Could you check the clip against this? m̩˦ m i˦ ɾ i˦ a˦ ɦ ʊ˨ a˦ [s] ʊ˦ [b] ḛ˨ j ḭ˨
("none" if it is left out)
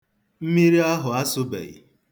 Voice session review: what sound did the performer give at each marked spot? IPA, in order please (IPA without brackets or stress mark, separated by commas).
s, b